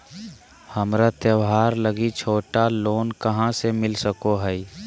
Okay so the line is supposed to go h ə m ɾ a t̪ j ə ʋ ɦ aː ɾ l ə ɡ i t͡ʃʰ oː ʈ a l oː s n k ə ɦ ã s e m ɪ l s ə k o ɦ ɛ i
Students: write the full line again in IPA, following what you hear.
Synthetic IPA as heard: h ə m ɾ a t̪ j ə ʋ ɦ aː ɾ l ə ɡ i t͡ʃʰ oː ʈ a l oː n k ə ɦ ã s e m ɪ l s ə k o ɦ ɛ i